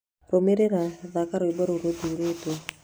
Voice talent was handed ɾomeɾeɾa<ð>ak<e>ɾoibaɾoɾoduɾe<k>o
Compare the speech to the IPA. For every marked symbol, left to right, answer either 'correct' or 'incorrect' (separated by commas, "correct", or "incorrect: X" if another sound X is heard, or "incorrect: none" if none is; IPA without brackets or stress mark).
correct, incorrect: a, incorrect: t